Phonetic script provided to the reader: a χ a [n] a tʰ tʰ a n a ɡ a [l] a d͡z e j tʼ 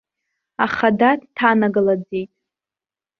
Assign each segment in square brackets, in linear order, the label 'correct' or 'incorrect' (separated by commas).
incorrect, correct